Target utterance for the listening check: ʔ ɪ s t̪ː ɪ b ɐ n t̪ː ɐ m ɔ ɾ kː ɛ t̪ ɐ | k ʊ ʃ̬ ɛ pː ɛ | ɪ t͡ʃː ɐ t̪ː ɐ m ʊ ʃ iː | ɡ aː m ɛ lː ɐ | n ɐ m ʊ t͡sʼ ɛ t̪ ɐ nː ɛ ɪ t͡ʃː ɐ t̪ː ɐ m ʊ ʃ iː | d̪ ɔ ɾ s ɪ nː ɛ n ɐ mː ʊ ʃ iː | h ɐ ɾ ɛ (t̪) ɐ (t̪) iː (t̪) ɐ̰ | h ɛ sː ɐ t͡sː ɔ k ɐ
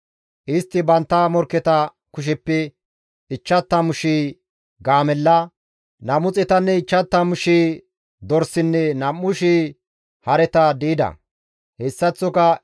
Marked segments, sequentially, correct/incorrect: correct, incorrect: d̪, incorrect: d̪

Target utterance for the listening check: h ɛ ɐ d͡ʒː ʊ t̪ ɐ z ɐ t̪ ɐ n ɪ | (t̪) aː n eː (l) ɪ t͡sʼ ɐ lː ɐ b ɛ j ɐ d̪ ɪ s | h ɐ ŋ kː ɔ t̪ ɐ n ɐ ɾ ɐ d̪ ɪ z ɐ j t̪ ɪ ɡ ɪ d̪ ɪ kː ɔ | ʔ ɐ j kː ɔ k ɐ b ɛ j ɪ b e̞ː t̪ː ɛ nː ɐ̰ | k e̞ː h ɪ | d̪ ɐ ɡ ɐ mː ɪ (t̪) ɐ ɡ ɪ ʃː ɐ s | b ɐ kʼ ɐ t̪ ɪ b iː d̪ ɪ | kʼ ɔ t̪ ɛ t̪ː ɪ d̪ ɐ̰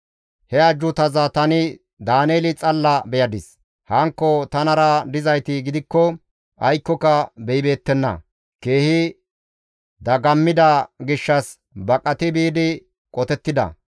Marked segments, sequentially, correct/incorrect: incorrect: d̪, correct, incorrect: d̪

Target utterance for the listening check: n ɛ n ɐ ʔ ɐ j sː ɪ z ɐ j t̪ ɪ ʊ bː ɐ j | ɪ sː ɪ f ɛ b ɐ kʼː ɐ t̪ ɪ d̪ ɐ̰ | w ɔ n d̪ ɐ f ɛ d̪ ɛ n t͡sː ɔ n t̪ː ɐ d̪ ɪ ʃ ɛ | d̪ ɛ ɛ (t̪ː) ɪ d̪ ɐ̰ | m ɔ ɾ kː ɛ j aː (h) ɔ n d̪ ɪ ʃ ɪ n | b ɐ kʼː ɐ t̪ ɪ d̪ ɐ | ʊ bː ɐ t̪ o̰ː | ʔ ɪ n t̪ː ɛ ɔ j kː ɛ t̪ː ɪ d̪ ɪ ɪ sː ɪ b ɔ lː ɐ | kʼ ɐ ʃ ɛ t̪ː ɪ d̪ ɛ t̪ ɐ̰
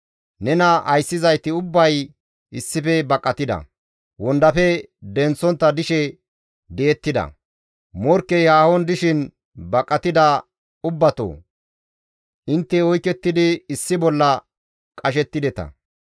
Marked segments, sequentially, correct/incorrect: correct, correct

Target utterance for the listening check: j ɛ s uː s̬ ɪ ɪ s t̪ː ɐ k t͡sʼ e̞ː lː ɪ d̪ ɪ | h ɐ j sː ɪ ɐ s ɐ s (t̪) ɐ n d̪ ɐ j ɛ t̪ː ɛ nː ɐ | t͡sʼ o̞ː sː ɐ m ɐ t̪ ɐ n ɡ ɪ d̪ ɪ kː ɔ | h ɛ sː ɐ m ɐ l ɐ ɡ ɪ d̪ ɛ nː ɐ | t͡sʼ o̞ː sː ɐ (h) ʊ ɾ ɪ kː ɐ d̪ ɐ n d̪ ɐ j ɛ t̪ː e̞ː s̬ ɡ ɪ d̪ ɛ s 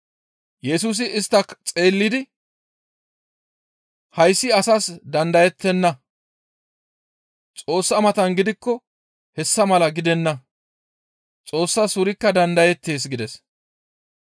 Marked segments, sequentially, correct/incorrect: incorrect: d̪, incorrect: s

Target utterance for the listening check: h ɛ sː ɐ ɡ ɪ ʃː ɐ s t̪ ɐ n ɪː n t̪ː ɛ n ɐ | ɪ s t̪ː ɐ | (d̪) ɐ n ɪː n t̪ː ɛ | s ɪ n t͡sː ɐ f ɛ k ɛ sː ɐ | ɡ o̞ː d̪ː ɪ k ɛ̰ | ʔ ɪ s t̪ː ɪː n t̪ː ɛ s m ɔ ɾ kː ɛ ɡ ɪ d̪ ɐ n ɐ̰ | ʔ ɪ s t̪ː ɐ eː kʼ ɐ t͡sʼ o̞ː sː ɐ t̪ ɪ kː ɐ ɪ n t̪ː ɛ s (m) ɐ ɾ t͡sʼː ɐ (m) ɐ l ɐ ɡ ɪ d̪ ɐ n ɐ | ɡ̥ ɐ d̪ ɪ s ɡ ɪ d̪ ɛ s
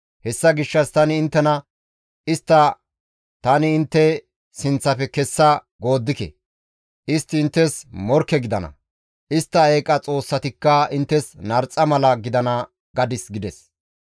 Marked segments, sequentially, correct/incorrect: incorrect: t̪, incorrect: n, correct

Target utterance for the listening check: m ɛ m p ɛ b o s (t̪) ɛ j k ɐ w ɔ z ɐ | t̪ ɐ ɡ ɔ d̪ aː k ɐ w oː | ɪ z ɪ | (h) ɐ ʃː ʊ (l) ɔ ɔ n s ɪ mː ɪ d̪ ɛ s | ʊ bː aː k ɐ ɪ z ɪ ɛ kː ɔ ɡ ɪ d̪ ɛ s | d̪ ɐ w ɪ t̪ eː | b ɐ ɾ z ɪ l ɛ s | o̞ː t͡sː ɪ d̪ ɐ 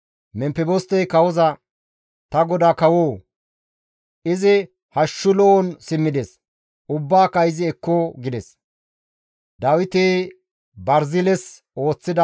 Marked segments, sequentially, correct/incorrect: correct, correct, correct

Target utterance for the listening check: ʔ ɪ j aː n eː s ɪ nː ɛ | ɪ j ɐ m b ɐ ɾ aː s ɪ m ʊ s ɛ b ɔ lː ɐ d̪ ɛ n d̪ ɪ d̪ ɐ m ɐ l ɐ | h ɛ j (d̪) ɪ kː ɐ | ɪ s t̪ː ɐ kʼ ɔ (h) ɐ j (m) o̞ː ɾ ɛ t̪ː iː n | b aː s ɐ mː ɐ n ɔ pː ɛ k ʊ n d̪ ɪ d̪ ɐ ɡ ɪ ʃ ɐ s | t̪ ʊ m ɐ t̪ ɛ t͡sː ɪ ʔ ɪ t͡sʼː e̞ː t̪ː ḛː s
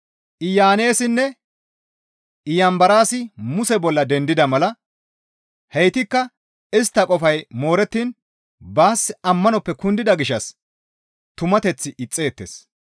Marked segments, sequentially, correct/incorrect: incorrect: t̪, incorrect: f, correct

